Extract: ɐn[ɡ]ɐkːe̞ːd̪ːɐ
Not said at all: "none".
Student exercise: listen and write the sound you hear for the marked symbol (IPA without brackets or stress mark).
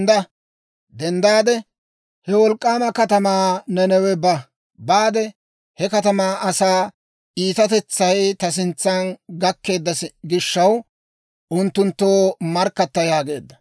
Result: ɡ